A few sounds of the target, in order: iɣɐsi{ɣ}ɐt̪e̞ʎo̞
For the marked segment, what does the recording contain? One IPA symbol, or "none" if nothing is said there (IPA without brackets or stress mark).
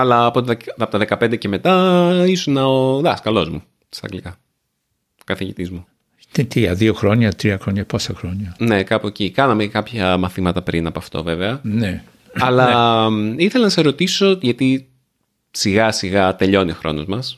ɣ